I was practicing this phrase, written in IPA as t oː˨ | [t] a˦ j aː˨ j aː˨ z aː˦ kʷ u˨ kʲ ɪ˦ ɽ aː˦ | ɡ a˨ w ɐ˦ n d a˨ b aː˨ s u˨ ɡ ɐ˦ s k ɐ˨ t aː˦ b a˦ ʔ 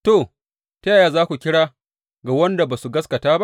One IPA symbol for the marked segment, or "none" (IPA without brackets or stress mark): t